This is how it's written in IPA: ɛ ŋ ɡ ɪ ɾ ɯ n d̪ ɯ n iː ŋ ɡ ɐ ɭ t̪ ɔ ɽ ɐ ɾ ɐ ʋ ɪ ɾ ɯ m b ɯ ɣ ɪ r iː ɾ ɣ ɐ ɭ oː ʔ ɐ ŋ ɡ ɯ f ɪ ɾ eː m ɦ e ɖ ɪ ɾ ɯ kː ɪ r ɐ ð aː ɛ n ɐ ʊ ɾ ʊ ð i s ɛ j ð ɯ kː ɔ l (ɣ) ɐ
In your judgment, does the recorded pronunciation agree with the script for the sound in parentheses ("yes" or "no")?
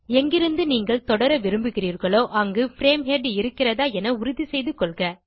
yes